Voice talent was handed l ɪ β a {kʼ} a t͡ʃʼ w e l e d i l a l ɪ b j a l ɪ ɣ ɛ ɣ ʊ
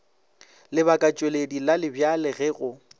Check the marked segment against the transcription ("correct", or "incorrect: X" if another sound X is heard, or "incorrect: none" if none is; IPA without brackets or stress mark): correct